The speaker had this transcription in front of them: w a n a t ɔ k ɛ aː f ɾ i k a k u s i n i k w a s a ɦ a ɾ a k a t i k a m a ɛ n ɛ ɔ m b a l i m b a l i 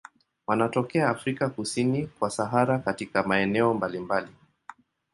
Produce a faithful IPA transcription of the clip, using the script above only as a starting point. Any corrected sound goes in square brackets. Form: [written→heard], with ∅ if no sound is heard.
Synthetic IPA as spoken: w a n a t ɔ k ɛ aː f ɾ i k a k u s i n i k w a s a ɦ a ɾ a k a t i k a m a ɛ n ɛ ɔ m b a l i m b a l i